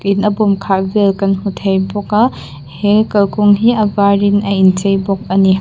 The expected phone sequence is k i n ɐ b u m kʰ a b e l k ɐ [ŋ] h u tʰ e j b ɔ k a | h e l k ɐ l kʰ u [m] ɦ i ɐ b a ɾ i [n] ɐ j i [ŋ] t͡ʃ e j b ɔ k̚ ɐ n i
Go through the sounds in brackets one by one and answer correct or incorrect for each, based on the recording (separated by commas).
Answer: incorrect, incorrect, correct, incorrect